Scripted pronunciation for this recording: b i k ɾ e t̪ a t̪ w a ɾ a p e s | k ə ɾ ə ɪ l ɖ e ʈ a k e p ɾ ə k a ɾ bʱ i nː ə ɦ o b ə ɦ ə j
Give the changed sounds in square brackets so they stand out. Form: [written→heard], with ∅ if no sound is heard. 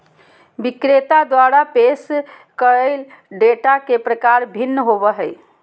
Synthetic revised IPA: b i k ɾ e t̪ a [t̪→d̪] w a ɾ a p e s | k ə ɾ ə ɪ l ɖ e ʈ a k e p ɾ ə k a ɾ bʱ i nː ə ɦ o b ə ɦ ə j

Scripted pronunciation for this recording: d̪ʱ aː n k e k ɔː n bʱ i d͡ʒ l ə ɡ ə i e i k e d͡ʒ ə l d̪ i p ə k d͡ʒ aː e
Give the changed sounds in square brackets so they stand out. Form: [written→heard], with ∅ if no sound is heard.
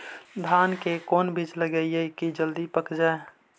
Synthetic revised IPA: d̪ʱ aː n k e k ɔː n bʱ i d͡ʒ l ə ɡ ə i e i k [e→i] d͡ʒ ə l d̪ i p ə k d͡ʒ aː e

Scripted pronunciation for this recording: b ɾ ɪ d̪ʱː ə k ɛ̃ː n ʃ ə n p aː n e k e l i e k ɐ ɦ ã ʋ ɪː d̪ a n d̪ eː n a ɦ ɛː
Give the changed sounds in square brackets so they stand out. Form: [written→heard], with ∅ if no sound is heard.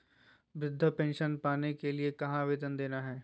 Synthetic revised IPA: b ɾ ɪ d̪ʱː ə [k→p] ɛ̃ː n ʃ ə n p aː n e k e l i e k ɐ ɦ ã ʋ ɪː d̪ [a→ə] n d̪ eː n a ɦ ɛː

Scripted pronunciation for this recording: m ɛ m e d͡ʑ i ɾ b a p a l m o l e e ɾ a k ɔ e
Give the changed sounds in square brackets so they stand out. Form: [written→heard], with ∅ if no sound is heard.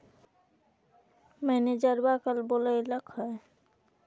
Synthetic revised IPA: m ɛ [m→n] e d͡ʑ [i→a] ɾ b a [p→k] a l [m→b] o l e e [ɾ→l] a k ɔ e

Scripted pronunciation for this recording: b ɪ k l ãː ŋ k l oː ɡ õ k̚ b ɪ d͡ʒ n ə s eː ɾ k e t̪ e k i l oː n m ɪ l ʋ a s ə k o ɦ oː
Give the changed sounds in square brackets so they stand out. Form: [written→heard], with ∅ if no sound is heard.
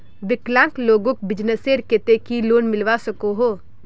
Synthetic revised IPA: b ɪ k l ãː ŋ k l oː ɡ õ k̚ b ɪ d͡ʒ n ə s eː ɾ k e t̪ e k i l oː n m ɪ l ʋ a s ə k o ɦ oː

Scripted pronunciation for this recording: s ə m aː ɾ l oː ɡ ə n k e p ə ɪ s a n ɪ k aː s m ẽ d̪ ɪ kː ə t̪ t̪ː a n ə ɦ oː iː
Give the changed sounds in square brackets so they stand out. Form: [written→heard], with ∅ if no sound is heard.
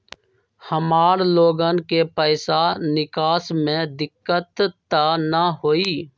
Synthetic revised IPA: [s→h] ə m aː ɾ l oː ɡ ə n k e p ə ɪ s a n ɪ k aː s m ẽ d̪ ɪ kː ə t̪ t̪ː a n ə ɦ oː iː

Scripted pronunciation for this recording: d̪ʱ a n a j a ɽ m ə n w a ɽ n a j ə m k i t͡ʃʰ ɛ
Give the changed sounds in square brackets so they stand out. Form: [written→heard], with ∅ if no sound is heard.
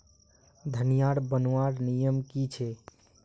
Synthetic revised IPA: d̪ʱ [a→ə] n [a→i] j a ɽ [m→b] ə n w a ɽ n [a→i] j ə m k i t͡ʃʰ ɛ

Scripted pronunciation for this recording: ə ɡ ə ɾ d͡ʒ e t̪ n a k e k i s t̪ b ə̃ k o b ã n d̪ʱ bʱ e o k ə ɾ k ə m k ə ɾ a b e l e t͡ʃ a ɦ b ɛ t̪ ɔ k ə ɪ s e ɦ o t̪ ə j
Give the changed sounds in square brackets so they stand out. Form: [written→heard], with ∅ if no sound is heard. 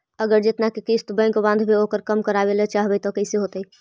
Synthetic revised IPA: ə ɡ ə ɾ d͡ʒ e t̪ n a k e k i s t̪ b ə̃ k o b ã n d̪ʱ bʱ e o k ə ɾ k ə m k ə ɾ a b e l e t͡ʃ a ɦ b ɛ t̪ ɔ k ə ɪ s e ɦ o t̪ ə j

